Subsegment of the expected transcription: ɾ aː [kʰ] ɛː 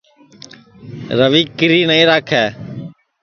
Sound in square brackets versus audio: correct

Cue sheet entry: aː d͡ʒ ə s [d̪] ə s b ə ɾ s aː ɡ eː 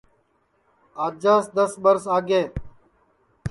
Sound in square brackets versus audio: correct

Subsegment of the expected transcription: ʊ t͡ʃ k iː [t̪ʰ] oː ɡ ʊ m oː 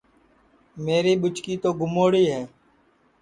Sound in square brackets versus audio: incorrect: t̪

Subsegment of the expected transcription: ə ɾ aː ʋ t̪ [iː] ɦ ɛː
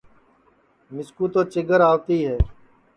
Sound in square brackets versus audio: correct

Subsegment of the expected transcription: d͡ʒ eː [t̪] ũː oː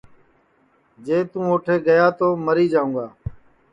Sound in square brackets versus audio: correct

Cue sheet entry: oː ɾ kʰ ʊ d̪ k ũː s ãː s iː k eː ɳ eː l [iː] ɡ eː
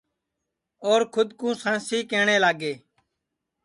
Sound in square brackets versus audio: incorrect: aː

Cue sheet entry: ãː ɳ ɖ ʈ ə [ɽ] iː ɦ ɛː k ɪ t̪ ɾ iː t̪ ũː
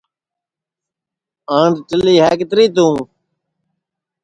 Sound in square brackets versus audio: incorrect: l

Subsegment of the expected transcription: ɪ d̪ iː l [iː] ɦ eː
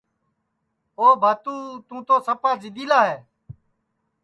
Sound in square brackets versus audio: incorrect: aː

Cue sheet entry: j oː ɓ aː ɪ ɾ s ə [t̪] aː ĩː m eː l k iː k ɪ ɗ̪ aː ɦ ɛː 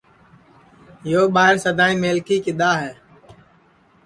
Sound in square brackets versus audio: incorrect: d̪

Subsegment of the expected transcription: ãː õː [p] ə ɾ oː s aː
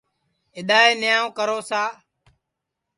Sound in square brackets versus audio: incorrect: k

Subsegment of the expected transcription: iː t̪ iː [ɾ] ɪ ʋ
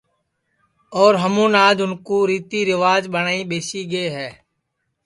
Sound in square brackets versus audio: correct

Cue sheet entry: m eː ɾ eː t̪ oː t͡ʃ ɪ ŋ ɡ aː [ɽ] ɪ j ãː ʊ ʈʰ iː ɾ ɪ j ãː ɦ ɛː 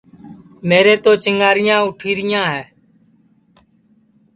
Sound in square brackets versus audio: incorrect: ɾ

